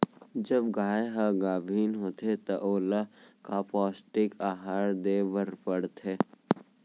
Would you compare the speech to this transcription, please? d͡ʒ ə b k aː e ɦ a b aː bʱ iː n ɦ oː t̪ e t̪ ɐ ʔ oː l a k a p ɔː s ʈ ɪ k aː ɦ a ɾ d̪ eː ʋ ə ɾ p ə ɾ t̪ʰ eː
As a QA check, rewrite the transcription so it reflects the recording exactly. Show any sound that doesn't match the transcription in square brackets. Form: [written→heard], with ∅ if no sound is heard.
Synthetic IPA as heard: d͡ʒ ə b [k→ɡ] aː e ɦ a [b→ɡ] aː bʱ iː n ɦ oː t̪ e t̪ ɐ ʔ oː l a k a p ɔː s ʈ ɪ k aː ɦ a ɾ d̪ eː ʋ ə ɾ p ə [ɾ→ɽ] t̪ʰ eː